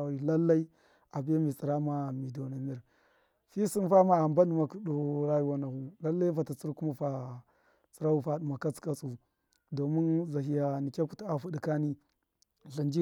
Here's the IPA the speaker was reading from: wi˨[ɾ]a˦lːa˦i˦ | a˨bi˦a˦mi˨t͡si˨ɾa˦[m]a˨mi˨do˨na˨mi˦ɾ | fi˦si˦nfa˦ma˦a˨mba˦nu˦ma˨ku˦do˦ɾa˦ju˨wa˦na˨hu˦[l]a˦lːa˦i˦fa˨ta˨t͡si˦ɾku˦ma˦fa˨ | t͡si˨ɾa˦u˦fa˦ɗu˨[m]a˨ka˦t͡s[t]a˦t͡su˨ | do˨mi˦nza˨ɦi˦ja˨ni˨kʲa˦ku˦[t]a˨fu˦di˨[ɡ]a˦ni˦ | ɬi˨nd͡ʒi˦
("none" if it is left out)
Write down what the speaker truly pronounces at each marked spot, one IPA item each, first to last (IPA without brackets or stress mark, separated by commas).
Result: l, m, l, m, k, t, k